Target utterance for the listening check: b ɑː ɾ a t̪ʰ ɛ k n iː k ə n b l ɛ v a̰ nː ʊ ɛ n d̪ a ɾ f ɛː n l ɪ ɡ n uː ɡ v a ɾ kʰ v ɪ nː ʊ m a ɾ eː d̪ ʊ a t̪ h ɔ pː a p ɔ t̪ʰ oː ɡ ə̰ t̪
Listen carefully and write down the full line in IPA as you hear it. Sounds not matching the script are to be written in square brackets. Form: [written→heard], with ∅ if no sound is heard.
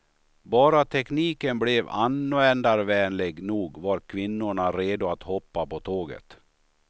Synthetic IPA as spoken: b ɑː ɾ a t̪ʰ ɛ k n iː k ə n b l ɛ v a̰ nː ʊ ɛ n d̪ a ɾ [f→v] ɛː n l ɪ ɡ n uː ɡ v a ɾ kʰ v ɪ nː ʊ [m→ɳ] a ɾ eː d̪ ʊ a t̪ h ɔ pː a p ɔ t̪ʰ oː ɡ ə̰ t̪